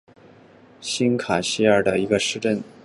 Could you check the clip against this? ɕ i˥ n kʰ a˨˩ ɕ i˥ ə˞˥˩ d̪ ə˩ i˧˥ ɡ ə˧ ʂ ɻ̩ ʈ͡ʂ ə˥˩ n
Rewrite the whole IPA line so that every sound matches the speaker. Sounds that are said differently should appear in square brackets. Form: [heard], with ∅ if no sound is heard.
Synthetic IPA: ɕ i˥ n kʰ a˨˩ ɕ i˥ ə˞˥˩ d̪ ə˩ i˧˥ ɡ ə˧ ʂ ɻ̩ ʈ͡ʂ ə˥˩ n